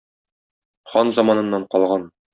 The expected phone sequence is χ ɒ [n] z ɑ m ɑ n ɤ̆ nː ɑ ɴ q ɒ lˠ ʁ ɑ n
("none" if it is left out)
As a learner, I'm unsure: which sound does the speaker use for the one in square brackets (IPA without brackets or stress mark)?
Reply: n